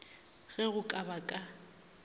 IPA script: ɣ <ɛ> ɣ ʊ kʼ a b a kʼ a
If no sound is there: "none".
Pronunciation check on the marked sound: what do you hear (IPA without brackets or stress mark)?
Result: ɛ